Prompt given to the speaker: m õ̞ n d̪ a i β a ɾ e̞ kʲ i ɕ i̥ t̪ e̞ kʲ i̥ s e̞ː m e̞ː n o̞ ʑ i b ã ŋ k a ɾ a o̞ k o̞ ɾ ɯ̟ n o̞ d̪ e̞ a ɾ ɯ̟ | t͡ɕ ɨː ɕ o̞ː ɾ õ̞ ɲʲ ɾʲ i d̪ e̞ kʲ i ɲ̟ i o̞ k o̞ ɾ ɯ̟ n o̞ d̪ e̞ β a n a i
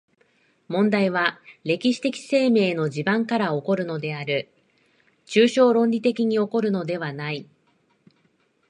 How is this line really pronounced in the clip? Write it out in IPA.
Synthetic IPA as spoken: m õ̞ n d̪ a i β a ɾ e̞ kʲ i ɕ i̥ t̪ e̞ kʲ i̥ s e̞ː m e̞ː n o̞ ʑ i b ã ŋ k a ɾ a o̞ k o̞ ɾ ɯ̟ n o̞ d̪ e̞ a ɾ ɯ̟ | t͡ɕ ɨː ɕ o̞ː ɾ õ̞ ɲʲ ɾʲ i t̪ e̞ kʲ i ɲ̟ i o̞ k o̞ ɾ ɯ̟ n o̞ d̪ e̞ β a n a i

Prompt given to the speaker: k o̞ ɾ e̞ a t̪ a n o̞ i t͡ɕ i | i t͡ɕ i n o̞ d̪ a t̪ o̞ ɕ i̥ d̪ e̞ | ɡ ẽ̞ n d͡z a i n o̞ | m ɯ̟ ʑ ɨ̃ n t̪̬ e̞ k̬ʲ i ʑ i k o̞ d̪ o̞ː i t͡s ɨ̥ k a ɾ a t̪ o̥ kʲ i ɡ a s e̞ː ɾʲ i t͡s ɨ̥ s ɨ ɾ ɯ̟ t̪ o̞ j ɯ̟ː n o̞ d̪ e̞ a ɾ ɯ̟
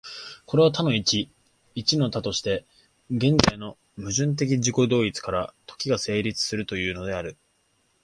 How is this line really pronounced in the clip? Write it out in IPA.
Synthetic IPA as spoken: k o̞ ɾ e̞ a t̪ a n o̞ i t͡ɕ i | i t͡ɕ i n o̞ t̪ a t̪ o̞ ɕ i̥ t̪ e̞ | ɡ ẽ̞ n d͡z a i n o̞ | m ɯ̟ ʑ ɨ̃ n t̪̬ e̞ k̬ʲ i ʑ i k o̞ d̪ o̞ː i t͡s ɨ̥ k a ɾ a t̪ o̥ kʲ i ɡ a s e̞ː ɾʲ i t͡s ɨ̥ s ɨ ɾ ɯ̟ t̪ o̞ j ɯ̟ː n o̞ d̪ e̞ a ɾ ɯ̟

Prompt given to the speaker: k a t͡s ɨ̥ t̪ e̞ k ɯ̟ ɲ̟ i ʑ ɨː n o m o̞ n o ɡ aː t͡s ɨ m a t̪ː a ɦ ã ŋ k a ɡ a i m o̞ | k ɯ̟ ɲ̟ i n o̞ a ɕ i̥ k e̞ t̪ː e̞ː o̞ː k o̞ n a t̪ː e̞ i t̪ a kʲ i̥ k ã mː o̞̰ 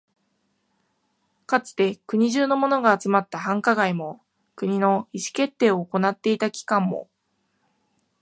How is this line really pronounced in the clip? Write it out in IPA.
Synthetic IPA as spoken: k a t͡s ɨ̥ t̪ e̞ k ɯ̟ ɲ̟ i ʑ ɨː n o m o̞ n o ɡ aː t͡s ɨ m a t̪ː a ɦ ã ŋ k a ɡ a i m o̞ | k ɯ̟ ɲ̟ i n o̞ i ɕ i̥ k e̞ t̪ː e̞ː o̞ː k o̞ n a t̪ː e̞ i t̪ a kʲ i̥ k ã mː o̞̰

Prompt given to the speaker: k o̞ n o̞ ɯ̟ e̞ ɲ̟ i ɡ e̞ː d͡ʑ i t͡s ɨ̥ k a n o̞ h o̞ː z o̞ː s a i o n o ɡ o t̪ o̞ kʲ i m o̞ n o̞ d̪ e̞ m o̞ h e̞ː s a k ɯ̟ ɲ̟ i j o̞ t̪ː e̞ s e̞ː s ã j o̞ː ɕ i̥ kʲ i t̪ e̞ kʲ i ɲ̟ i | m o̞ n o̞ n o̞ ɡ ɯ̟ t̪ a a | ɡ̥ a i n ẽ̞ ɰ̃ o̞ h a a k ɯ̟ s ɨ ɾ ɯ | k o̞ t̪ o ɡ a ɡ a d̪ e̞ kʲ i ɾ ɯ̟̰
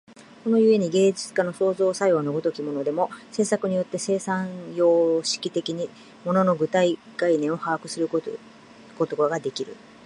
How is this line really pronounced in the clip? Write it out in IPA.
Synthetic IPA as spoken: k o̞ n o̞ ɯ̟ e̞ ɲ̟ i ɡ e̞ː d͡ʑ i t͡s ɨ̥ k a n o̞ s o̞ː z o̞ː s a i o n o ɡ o t̪ o̞ kʲ i m o̞ n o̞ d̪ e̞ m o̞ s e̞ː s a k ɯ̟ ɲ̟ i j o̞ t̪ː e̞ s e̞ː s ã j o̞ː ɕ i̥ kʲ i t̪ e̞ kʲ i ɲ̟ i | m o̞ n o̞ n o̞ ɡ ɯ̟ t̪ a i | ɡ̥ a i n ẽ̞ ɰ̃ o̞ h a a k ɯ̟ s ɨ ɾ ɯ | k o̞ t̪ o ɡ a ɡ a d̪ e̞ kʲ i ɾ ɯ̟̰

